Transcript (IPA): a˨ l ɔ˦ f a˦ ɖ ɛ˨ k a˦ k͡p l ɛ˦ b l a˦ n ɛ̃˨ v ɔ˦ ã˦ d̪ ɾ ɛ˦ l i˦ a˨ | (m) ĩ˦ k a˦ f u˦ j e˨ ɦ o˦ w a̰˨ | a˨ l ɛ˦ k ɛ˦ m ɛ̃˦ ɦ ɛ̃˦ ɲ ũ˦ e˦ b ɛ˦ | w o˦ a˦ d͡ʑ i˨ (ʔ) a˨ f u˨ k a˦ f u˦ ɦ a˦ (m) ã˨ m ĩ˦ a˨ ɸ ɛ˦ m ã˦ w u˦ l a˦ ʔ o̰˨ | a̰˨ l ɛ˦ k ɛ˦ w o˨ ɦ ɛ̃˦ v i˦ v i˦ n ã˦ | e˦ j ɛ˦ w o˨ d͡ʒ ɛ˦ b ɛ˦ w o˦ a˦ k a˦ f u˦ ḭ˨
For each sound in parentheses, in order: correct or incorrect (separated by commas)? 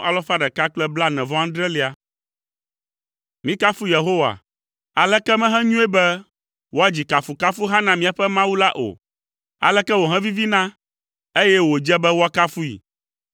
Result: correct, incorrect, incorrect